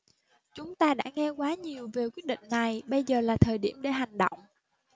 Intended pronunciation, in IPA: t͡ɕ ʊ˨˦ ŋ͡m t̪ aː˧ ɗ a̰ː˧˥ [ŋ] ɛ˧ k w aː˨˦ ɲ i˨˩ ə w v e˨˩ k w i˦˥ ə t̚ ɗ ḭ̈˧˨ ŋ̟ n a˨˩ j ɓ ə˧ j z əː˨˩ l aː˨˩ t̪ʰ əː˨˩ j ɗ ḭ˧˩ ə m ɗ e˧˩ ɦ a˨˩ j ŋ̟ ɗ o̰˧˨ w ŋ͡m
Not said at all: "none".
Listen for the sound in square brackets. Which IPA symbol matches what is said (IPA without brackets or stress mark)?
ŋ